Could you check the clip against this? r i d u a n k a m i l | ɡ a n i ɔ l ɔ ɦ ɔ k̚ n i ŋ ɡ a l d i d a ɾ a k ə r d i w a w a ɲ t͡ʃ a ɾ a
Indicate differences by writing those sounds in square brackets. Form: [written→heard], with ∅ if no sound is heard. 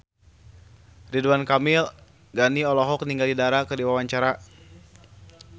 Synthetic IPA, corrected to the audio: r i d u a n k a m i l | ɡ a n i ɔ l ɔ ɦ ɔ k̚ n i ŋ ɡ a l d i d a ɾ a k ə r d i w a w a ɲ t͡ʃ a ɾ a